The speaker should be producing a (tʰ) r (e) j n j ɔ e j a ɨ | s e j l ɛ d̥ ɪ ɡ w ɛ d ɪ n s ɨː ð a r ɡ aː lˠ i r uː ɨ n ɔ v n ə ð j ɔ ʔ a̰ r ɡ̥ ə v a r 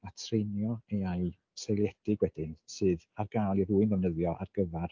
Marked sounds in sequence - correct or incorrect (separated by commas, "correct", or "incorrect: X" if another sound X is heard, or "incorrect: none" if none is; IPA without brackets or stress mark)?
correct, correct